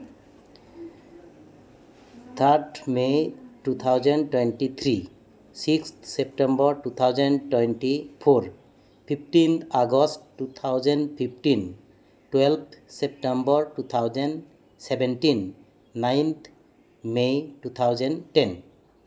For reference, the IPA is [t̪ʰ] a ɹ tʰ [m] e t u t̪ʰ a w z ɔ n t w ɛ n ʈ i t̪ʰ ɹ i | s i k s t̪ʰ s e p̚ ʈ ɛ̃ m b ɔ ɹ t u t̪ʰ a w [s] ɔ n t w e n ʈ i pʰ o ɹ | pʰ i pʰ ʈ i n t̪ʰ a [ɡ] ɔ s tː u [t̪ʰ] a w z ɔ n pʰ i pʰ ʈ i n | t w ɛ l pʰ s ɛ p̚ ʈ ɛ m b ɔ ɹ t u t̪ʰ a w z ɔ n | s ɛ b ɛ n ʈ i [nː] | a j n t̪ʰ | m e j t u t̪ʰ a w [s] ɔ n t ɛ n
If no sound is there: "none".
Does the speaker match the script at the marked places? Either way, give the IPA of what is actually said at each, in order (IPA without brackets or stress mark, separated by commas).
t̪ʰ, m, z, ɡ, t̪ʰ, nː, z